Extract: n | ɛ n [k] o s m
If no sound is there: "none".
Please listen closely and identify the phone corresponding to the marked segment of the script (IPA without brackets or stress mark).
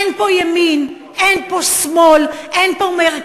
p